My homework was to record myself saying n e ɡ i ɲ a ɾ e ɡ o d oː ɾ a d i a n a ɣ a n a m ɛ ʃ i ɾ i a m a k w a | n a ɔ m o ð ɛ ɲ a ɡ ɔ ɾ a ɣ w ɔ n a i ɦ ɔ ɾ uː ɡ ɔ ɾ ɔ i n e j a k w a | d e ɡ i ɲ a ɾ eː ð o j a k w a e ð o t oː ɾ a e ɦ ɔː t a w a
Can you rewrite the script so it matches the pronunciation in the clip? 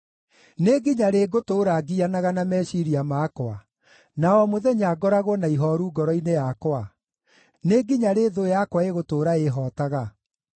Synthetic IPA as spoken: n e ɡ i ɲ a ɾ e ɡ o t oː ɾ a ɡ i a n a ɣ a n a m ɛ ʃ i ɾ i a m a k w a | n a ɔ m o ð ɛ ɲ a ɡ ɔ ɾ a ɣ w ɔ n a i ɦ ɔ ɾ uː ɡ ɔ ɾ ɔ i n e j a k w a | n e ɡ i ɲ a ɾ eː ð o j a k w a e ɣ o t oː ɾ a e ɦ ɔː t a ɣ a